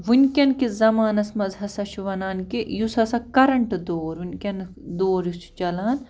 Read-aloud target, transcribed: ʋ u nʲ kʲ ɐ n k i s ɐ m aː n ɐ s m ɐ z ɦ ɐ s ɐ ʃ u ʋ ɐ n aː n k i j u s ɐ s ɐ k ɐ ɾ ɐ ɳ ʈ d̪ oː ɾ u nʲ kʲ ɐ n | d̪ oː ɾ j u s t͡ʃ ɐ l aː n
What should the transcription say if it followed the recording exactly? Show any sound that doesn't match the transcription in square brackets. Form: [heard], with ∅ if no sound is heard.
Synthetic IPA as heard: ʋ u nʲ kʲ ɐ n k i [z] ɐ m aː n ɐ s m ɐ z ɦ ɐ s ɐ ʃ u ʋ ɐ n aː n k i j u s ɐ s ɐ k ɐ ɾ ɐ ɳ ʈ d̪ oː ɾ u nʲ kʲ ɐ n | d̪ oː ɾ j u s t͡ʃ ɐ l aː n

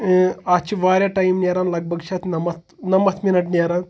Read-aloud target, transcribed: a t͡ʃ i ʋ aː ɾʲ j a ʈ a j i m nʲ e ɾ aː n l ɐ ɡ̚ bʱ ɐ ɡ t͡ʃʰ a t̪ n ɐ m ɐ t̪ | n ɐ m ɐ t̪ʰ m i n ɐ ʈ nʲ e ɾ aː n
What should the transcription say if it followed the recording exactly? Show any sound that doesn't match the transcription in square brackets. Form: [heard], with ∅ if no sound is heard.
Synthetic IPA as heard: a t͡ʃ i ʋ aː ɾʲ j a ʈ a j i m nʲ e ɾ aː n l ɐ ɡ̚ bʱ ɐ ɡ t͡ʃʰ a t̪ n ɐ m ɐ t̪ | n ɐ m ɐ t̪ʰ m i n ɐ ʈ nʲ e ɾ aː n

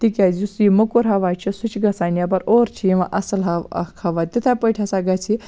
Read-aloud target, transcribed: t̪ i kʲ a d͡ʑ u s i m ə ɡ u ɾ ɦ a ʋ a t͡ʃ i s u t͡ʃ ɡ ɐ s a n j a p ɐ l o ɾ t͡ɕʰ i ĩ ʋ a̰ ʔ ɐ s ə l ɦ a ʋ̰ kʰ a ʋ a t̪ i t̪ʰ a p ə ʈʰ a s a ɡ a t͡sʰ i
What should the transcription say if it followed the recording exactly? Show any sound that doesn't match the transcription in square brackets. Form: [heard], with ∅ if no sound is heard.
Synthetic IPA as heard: t̪ i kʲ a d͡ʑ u s i m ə [k] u ɾ ɦ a ʋ a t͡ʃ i s u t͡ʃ ɡ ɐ s a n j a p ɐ [ɾ] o ɾ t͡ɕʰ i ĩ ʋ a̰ ʔ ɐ s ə l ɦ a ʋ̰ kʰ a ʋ a t̪ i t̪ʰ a p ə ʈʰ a s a ɡ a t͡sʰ i

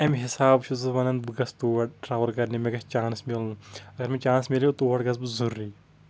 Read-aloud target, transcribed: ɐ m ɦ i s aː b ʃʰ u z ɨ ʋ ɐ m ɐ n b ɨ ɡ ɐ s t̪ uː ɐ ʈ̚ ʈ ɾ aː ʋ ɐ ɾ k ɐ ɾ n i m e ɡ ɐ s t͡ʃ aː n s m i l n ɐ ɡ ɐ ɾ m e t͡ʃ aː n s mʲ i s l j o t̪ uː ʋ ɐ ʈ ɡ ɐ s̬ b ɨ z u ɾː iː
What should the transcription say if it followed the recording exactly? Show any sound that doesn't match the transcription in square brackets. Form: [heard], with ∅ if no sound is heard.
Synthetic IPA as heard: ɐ m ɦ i s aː b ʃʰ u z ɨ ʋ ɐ [n] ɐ n b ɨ ɡ ɐ s t̪ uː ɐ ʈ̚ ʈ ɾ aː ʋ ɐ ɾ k ɐ ɾ n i m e ɡ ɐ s t͡ʃ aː n s m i l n ɐ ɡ ɐ ɾ m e t͡ʃ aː n s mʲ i [∅] l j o t̪ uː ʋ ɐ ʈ ɡ ɐ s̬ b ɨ z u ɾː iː

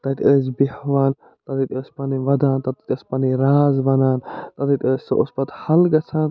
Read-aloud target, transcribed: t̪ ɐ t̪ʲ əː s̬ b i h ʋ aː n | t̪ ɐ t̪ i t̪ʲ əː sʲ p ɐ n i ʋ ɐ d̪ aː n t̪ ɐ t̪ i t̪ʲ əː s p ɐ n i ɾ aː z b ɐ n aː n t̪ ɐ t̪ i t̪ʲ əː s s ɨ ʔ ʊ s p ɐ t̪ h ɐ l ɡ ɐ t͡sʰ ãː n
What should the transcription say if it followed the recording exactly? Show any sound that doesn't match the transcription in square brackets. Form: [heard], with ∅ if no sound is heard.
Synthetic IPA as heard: t̪ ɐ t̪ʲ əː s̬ b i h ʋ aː n | t̪ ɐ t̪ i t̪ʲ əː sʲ p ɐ n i ʋ ɐ d̪ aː n t̪ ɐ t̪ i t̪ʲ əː s p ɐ n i ɾ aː z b ɐ n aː n t̪ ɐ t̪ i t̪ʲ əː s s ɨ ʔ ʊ s p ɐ t̪ h ɐ l ɡ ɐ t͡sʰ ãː n

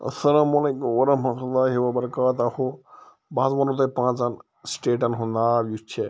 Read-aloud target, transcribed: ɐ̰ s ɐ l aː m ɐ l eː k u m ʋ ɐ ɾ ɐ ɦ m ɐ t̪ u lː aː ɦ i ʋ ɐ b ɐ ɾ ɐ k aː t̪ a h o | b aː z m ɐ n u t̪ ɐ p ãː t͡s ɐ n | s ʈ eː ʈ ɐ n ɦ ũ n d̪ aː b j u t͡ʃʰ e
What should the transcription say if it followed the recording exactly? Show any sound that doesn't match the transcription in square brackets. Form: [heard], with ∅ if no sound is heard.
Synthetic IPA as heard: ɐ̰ s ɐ l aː m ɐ l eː k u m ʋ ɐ ɾ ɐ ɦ m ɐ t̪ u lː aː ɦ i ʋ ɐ b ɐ ɾ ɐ k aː t̪ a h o | b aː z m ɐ n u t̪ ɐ p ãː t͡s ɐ n | s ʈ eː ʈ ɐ n ɦ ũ n d̪ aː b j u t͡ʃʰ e

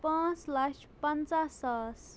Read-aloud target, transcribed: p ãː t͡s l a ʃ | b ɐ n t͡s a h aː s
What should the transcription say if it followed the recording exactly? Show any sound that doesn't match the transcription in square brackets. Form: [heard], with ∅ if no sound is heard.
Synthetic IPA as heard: p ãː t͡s l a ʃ | [p] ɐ n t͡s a [s] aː s

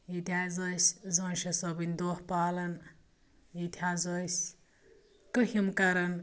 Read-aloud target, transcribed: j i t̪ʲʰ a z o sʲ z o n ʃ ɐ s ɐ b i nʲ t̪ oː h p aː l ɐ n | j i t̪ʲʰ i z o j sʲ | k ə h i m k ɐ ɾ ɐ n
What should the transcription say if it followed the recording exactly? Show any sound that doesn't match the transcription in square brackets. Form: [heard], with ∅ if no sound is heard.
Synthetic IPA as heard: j i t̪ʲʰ a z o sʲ z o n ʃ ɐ s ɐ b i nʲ [d̪] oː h p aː l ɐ n | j i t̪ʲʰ [a] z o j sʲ | k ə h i m k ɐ ɾ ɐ n

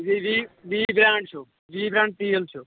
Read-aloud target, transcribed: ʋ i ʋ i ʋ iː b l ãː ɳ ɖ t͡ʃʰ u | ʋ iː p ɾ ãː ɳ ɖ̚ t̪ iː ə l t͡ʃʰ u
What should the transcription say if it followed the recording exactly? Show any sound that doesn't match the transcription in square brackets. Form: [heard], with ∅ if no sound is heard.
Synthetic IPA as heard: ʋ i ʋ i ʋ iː b [ɾ] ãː ɳ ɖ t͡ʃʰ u | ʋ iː [b] ɾ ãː ɳ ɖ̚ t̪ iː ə l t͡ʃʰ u

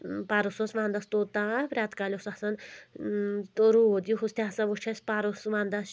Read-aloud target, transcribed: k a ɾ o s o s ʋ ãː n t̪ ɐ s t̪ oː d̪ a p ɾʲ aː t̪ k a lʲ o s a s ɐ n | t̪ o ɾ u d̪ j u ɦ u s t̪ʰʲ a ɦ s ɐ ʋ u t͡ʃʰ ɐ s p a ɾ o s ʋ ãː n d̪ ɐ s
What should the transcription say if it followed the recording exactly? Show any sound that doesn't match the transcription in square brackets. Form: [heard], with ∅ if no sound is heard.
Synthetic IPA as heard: [p] a ɾ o s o s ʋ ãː n [d̪] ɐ s t̪ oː [t̪] a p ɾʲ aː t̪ k a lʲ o s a s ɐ n | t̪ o ɾ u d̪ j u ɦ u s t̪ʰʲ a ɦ s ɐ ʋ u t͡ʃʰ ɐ s p a ɾ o s ʋ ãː n d̪ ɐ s

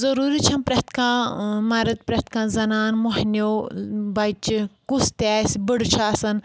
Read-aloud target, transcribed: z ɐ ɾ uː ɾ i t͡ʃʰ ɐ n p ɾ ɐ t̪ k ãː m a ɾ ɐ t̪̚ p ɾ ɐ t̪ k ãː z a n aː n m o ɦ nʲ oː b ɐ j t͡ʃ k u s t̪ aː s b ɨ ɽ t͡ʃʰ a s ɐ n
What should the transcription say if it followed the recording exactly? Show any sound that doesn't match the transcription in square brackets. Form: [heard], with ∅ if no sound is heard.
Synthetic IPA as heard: z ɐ ɾ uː ɾ i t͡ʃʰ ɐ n p ɾ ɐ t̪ k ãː m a ɾ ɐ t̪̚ p ɾ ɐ t̪ k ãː z [ɐ] n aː n m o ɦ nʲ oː b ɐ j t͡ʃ k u s t̪ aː s b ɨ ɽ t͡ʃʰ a s ɐ n

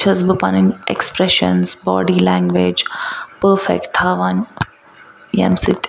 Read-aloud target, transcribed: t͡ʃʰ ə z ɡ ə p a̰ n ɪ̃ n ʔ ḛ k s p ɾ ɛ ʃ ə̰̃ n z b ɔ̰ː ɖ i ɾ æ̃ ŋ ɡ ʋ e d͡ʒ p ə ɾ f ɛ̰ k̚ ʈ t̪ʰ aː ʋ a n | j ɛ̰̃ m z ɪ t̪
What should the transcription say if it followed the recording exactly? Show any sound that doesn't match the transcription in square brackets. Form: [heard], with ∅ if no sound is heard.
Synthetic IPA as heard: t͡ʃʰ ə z [b] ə p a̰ n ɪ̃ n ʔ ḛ k s p ɾ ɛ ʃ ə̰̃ n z b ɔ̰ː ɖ i [l] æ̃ ŋ ɡ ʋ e d͡ʒ p ə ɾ f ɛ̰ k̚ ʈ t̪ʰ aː ʋ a n | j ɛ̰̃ m [s] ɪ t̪

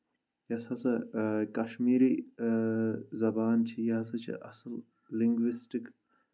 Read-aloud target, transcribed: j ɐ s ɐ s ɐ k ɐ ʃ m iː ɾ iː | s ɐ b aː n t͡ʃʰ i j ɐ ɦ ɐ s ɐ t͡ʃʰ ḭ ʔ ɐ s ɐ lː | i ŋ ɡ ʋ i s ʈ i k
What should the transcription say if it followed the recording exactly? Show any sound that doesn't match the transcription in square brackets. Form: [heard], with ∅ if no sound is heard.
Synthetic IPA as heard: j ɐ s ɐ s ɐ k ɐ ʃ m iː ɾ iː | [z] ɐ b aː n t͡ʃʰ i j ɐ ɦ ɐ s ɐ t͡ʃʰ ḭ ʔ ɐ s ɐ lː | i ŋ ɡ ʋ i s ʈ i k

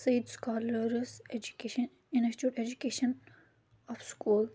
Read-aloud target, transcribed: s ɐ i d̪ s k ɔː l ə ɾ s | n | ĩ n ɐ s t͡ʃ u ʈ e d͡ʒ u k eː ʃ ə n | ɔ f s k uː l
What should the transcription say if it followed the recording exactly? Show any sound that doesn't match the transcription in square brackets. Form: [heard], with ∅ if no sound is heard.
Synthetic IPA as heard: s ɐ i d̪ s k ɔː l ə ɾ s | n | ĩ n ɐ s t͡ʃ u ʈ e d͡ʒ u k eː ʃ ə n | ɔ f s k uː l

